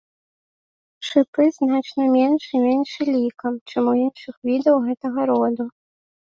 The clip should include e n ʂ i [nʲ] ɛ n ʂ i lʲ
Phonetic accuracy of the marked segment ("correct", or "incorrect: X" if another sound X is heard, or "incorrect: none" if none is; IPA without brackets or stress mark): incorrect: mʲ